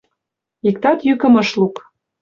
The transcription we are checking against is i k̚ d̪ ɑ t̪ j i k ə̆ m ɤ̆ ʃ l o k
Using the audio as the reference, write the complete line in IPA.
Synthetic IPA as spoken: i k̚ t̪ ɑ t̪ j y k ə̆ m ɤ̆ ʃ l u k

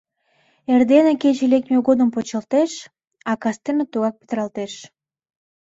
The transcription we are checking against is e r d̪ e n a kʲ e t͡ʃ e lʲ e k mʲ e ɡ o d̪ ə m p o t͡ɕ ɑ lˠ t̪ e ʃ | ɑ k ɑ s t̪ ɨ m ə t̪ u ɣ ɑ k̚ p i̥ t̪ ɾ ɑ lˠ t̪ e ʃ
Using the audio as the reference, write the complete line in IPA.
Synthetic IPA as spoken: e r d̪ e n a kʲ e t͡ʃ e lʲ e k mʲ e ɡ o d̪ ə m p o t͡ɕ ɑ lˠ t̪ e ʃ | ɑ k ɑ s t̪ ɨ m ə t̪ u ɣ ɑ k̚ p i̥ t̪ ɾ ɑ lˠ t̪ e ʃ

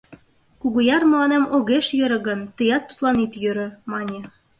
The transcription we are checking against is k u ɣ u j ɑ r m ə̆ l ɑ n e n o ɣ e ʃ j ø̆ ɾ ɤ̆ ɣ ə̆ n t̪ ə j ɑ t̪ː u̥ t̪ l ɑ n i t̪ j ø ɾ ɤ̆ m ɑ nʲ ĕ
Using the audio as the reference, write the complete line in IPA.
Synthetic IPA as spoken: k u ɣ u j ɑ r m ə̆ l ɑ n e m o ɣ e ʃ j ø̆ ɾ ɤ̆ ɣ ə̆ n t̪ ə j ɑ t̪ː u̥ t̪ l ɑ n i t̪ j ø ɾ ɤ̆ m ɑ nʲ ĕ

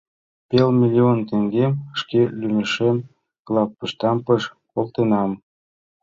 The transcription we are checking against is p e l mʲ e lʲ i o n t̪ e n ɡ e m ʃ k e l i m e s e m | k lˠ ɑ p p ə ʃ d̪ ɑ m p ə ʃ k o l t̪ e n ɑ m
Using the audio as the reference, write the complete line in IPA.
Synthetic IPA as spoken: p e l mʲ i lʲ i o n t̪ e ŋ ɡ e m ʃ k e l y m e ʃ e m | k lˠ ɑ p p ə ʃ t̪ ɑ m p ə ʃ k o l t̪ e n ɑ m

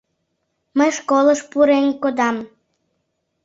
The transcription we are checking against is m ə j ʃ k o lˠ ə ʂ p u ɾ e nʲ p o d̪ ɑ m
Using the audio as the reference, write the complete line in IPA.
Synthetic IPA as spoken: m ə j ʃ k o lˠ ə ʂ p u ɾ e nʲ k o d̪ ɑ m

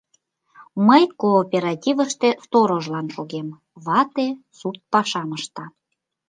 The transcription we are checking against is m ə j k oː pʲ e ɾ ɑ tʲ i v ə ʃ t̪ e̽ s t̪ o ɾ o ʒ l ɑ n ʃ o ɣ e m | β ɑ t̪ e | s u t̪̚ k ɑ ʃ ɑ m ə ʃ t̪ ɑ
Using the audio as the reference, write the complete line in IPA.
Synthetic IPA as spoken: m ə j k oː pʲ e ɾ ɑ tʲ i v ə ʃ t̪ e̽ s t̪ o ɾ o ʒ l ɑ n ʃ o ɣ e m | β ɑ t̪ e | s u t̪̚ p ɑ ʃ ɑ m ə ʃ t̪ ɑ

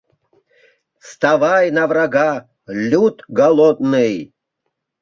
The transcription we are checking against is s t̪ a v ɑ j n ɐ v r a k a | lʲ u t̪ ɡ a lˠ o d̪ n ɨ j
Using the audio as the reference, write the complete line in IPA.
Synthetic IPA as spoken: s t̪ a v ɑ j n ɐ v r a ɡ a | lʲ u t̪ ɡ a lˠ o d̪ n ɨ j

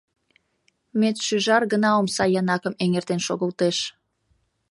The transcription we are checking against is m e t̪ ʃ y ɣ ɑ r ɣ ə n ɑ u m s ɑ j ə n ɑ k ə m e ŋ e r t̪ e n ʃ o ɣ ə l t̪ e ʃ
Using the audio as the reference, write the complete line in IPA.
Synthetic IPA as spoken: m e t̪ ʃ y ʒ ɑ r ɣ ə n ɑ o m s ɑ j ɑ n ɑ k ə m e ŋ e r t̪ e n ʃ o ɣ ə l t̪ e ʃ

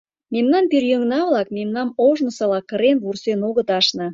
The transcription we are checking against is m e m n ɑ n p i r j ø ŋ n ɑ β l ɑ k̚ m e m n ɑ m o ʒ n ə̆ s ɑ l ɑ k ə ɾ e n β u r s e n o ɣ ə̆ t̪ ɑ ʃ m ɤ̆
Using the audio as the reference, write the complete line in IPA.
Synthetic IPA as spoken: m e m n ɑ n p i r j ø ŋ n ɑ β l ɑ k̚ m e m n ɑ m o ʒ n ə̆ s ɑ l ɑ k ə ɾ e n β u r s e n o ɣ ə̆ t̪ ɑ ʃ n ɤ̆

